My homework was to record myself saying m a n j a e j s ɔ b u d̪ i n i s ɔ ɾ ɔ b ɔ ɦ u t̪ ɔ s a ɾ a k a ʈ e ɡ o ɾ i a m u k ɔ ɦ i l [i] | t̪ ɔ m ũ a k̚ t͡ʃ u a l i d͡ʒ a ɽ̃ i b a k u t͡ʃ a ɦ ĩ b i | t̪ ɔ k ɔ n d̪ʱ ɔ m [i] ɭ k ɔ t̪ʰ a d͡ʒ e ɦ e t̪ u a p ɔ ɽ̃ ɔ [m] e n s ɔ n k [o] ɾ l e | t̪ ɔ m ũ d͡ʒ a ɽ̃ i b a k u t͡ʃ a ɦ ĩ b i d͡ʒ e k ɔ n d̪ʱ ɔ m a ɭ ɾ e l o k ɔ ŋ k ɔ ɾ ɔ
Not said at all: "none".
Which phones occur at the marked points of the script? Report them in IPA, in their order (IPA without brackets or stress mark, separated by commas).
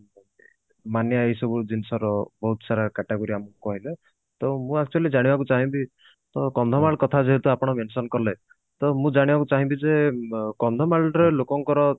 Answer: e, a, m, ɔ